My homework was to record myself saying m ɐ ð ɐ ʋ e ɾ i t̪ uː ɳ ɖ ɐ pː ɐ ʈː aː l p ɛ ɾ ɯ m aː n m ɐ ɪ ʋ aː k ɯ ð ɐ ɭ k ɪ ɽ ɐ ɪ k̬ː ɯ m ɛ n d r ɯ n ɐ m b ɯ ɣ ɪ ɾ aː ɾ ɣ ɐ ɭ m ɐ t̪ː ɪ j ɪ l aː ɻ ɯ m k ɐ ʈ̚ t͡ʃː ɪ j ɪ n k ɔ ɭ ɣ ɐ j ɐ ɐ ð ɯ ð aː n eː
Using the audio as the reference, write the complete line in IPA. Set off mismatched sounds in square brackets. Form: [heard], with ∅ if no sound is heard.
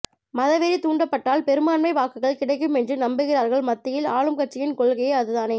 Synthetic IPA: m ɐ ð ɐ ʋ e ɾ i t̪ uː ɳ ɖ ɐ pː ɐ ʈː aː l p ɛ ɾ ɯ m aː n m ɐ ɪ ʋ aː k ɯ [ɣ] ɐ ɭ k ɪ ɽ ɐ ɪ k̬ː ɯ m ɛ n d r ɯ n ɐ m b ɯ ɣ ɪ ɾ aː ɾ ɣ ɐ ɭ m ɐ t̪ː ɪ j ɪ l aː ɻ ɯ m k ɐ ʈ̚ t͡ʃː ɪ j ɪ n k ɔ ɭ ɣ ɐ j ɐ ɐ ð ɯ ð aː n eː